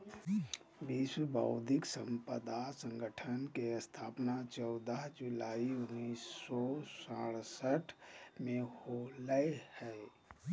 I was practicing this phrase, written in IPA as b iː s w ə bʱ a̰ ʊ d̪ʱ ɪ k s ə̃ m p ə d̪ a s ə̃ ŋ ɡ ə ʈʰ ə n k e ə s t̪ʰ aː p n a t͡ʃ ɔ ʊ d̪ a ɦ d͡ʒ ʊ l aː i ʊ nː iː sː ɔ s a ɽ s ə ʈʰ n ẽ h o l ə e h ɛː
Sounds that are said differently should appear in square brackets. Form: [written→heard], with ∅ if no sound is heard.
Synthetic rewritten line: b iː s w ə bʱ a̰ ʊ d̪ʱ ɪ k s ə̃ m p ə d̪ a s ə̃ ŋ ɡ ə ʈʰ ə n k e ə s t̪ʰ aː p n a t͡ʃ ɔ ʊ d̪ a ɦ d͡ʒ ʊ l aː i ʊ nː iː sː ɔ s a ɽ s ə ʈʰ [n→m] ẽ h o l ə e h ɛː